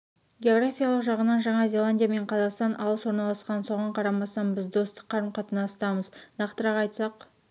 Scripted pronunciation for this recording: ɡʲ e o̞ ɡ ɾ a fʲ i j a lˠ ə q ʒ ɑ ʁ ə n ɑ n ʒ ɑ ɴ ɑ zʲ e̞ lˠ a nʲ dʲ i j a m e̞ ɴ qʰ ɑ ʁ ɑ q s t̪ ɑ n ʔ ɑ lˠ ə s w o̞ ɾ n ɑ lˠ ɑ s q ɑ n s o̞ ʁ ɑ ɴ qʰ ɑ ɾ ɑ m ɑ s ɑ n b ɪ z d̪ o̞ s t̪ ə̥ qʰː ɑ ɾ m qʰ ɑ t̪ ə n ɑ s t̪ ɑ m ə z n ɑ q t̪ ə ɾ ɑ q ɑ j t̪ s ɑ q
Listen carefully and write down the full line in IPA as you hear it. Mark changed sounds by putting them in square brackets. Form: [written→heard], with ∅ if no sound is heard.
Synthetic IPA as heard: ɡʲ e o̞ ɡ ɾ a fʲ i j a lˠ ə q ʒ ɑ ʁ ə n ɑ n ʒ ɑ ɴ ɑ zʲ e̞ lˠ a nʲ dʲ i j a m e̞ ɴ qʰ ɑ [ʁ→z] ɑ q s t̪ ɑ n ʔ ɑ lˠ ə s w o̞ ɾ n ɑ lˠ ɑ s q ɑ n s o̞ ʁ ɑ ɴ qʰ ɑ ɾ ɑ m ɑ s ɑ n b ɪ z d̪ o̞ s t̪ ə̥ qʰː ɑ ɾ m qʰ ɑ t̪ ə n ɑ s t̪ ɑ m ə z n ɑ q t̪ ə ɾ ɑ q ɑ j t̪ s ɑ q

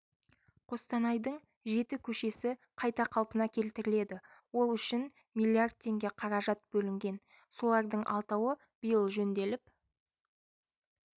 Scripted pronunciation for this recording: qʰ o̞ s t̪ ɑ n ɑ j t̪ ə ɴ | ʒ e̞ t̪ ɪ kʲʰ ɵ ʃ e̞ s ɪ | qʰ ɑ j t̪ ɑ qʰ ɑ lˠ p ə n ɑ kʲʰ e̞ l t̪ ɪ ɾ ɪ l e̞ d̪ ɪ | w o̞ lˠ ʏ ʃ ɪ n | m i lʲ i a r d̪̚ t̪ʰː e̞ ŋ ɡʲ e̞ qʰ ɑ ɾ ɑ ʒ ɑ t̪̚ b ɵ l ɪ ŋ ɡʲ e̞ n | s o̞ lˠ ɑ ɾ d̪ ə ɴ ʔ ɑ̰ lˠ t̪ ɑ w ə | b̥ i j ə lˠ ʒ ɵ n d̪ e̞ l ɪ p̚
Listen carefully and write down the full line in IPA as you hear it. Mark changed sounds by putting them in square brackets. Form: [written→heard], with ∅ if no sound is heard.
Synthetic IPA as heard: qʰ o̞ s t̪ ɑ n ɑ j [t̪→d̪] ə ɴ | ʒ e̞ t̪ ɪ kʲʰ ɵ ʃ e̞ s ɪ | qʰ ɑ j t̪ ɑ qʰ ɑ lˠ p ə n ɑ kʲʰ e̞ l t̪ ɪ ɾ ɪ l e̞ d̪ ɪ | w o̞ lˠ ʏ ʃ ɪ n | m i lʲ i a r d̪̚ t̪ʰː e̞ ŋ ɡʲ e̞ qʰ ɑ ɾ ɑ ʒ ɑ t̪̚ b ɵ l ɪ ŋ ɡʲ e̞ n | s o̞ lˠ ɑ ɾ d̪ ə ɴ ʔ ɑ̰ lˠ t̪ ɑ w ə | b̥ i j ə lˠ ʒ ɵ n d̪ e̞ l ɪ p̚

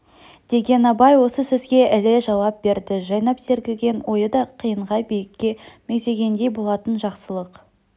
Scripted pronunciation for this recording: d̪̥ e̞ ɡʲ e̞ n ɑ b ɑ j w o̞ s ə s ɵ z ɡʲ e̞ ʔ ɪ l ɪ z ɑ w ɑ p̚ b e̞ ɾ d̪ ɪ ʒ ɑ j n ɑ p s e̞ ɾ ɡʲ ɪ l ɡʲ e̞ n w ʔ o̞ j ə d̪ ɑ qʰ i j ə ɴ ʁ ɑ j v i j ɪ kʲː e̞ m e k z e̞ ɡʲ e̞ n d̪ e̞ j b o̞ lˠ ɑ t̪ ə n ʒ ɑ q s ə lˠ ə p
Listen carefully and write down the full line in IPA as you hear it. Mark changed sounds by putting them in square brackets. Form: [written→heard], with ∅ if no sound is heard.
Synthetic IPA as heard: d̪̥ e̞ ɡʲ e̞ n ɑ b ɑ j w o̞ s ə s ɵ z ɡʲ e̞ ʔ ɪ l ɪ [z→ʒ] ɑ w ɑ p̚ b e̞ ɾ d̪ ɪ ʒ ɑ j n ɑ p s e̞ ɾ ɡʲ ɪ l ɡʲ e̞ n w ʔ o̞ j ə d̪ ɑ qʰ i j ə ɴ ʁ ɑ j [v→b] i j ɪ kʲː e̞ m e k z e̞ ɡʲ e̞ n d̪ e̞ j b o̞ lˠ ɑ t̪ ə n ʒ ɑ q s ə lˠ ə [p→q]

